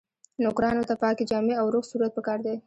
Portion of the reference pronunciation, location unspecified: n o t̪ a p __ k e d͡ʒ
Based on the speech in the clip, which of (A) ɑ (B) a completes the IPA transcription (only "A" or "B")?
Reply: A